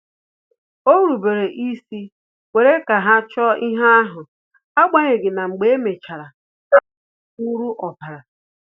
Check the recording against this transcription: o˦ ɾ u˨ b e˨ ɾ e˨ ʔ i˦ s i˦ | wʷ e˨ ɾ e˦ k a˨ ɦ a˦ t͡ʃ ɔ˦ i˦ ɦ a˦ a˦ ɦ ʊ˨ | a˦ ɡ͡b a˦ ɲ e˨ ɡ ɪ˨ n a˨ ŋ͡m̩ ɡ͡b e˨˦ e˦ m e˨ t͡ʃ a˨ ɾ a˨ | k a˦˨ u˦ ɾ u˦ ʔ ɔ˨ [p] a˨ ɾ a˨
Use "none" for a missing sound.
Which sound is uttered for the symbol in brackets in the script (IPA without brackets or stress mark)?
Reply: p